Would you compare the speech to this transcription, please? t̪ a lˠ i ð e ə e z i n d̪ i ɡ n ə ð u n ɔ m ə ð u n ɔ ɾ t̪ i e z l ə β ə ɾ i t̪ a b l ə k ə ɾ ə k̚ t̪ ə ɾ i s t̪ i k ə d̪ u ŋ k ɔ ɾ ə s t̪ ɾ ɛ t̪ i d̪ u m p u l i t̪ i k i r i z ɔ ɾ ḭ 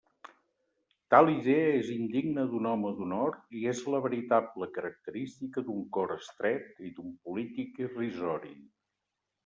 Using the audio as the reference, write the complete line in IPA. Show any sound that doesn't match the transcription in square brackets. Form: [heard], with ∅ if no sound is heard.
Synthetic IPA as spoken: t̪ a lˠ i ð e ə e z i n d̪ i ɡ n ə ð u n ɔ m ə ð u n ɔ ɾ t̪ i e z l ə β ə ɾ i t̪ a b l ə k ə ɾ ə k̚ t̪ ə ɾ i s t̪ i k ə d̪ u ŋ k ɔ ɾ ə s t̪ ɾ ɛ t̪ i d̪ u m p u l i t̪ i k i r i z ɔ ɾ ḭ